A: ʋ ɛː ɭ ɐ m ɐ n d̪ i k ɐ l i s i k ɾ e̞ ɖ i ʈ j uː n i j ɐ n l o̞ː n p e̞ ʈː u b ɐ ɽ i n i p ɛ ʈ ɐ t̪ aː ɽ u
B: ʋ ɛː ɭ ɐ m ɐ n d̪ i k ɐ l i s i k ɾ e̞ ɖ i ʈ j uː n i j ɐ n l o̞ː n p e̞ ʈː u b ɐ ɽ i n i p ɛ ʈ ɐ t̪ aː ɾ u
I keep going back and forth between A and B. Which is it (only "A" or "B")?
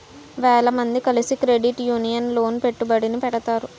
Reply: B